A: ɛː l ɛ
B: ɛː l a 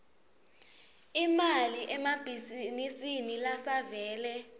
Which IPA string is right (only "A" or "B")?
A